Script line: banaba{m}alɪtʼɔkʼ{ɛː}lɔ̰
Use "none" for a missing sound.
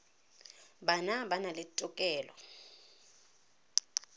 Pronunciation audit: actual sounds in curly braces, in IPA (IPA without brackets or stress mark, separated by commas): n, ɛː